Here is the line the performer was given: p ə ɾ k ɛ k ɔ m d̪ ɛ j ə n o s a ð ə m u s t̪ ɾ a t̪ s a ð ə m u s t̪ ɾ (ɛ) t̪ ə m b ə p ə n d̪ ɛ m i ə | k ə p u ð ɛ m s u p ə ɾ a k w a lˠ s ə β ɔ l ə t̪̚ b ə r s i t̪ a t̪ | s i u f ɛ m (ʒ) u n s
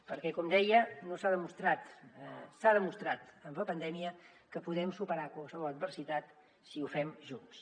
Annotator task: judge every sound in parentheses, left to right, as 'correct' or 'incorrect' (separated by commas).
incorrect, correct